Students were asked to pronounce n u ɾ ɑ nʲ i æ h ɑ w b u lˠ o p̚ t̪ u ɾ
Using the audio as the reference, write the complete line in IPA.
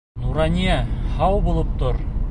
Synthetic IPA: n u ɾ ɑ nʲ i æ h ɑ w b u lˠ ɤ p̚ t̪ o ɾ